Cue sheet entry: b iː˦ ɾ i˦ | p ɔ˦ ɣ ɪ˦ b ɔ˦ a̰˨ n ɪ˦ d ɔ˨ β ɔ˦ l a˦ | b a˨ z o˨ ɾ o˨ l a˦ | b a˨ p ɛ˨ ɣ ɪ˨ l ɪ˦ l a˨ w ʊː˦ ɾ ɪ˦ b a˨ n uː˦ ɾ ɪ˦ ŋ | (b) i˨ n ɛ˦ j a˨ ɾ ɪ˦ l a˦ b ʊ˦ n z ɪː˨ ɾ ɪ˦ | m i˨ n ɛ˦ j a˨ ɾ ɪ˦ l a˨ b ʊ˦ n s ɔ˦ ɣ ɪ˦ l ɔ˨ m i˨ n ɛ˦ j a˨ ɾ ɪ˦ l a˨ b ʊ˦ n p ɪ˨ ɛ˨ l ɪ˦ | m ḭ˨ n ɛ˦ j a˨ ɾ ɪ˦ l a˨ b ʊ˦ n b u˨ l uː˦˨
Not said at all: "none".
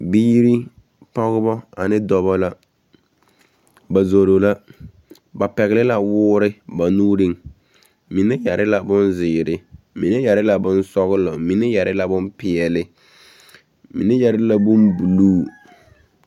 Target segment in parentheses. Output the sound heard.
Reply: m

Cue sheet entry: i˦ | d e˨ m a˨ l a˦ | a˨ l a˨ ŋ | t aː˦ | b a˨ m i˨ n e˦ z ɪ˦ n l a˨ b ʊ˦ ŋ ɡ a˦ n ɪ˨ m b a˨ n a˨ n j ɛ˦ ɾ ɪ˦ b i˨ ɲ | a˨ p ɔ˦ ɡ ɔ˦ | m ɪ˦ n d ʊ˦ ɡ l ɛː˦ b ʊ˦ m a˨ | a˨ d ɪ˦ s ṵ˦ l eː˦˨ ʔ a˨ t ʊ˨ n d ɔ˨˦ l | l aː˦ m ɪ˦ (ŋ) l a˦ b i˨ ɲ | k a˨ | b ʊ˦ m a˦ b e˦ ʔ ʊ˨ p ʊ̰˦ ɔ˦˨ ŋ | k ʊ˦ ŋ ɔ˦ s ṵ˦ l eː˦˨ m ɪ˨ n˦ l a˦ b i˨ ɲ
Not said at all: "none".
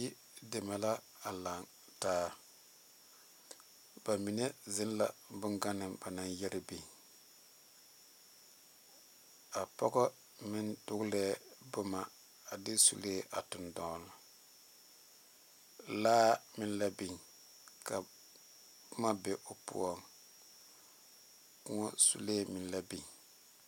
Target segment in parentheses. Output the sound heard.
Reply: n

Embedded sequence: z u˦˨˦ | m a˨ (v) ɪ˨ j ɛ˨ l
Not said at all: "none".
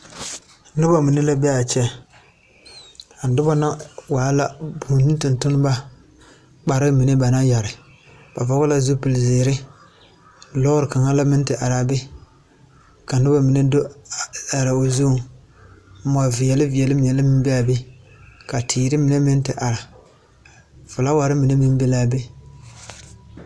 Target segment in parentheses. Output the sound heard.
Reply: v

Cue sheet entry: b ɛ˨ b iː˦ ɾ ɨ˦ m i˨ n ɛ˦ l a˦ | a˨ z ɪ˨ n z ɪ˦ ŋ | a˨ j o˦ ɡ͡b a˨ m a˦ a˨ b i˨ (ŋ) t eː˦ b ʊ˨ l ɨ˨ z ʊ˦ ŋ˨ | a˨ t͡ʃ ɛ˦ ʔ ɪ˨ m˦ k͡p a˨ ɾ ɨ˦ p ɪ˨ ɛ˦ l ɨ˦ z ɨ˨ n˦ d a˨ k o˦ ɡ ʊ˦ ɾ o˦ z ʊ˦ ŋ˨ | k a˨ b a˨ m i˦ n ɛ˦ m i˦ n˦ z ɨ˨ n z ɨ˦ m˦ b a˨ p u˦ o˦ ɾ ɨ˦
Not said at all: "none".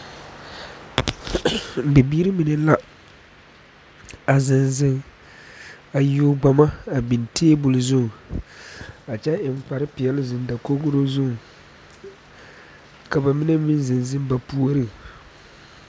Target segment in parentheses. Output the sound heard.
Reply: n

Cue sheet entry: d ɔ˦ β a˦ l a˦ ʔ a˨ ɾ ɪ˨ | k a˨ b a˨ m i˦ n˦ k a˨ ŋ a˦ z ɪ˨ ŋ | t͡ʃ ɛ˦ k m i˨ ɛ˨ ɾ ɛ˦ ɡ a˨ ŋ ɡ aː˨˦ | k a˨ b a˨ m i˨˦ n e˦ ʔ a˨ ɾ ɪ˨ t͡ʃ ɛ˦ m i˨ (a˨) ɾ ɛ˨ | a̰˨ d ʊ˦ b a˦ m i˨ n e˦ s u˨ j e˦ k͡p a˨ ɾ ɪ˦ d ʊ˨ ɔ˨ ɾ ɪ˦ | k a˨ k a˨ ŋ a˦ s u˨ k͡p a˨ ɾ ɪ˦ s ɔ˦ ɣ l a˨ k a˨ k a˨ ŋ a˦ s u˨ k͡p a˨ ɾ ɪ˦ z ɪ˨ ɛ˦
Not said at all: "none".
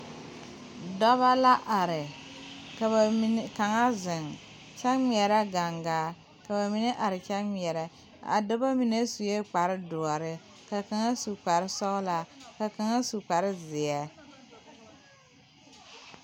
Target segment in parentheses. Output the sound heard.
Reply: ɛ˨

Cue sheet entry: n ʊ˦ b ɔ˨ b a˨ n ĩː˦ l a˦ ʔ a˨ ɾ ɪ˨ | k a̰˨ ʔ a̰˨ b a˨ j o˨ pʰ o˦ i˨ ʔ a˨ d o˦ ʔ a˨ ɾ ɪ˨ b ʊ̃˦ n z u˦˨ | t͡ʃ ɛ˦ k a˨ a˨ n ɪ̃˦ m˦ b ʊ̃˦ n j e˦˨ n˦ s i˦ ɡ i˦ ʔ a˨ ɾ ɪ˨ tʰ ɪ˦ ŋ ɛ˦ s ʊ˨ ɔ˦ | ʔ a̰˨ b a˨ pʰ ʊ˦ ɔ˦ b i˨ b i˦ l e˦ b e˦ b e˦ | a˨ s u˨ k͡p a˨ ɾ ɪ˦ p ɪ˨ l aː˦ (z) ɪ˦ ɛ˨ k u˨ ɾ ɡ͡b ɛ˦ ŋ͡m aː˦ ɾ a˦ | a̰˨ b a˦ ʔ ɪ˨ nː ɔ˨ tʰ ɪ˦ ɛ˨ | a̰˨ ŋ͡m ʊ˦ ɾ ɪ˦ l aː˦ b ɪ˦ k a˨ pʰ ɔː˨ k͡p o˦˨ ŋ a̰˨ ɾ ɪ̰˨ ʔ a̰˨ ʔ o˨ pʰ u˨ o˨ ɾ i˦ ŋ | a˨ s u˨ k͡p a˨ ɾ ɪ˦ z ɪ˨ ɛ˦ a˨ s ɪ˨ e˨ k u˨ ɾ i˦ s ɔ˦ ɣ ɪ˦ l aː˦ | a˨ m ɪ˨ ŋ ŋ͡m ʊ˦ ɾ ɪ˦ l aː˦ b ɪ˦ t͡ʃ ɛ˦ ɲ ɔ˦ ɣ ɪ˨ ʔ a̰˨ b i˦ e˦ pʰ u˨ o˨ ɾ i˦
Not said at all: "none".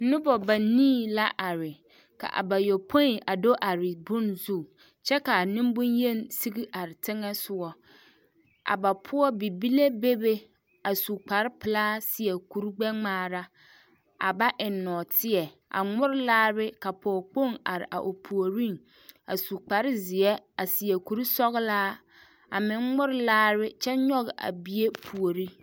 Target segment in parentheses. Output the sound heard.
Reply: s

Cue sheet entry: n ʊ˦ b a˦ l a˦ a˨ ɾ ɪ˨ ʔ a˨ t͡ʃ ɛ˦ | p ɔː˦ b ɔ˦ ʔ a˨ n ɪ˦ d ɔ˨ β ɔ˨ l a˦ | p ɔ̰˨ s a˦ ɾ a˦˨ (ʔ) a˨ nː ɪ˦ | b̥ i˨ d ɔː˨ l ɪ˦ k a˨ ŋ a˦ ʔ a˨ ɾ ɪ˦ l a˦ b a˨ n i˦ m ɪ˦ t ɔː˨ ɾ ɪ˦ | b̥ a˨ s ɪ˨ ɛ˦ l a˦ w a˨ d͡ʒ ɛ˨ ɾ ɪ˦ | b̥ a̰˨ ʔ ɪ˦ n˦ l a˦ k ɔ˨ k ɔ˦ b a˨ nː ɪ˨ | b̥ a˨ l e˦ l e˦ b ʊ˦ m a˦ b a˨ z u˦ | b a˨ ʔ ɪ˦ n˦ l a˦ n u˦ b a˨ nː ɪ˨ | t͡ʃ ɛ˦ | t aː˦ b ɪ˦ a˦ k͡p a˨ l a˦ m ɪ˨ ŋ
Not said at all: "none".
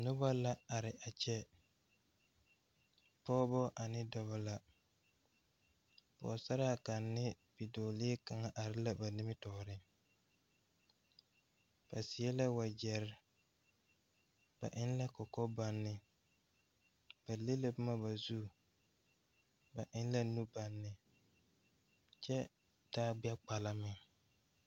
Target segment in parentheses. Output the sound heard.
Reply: k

